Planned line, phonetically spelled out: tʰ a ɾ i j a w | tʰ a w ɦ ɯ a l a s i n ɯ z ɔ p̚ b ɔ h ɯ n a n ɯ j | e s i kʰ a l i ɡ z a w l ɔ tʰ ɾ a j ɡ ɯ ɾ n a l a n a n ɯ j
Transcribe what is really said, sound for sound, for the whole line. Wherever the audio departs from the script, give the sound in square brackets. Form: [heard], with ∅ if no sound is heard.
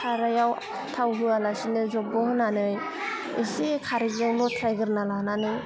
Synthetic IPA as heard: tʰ a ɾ [a] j a w | tʰ a w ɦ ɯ a l a s i n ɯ z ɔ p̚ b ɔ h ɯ n a n ɯ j | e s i kʰ a [ɾ] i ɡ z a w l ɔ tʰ ɾ a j ɡ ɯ ɾ n a l a n a n ɯ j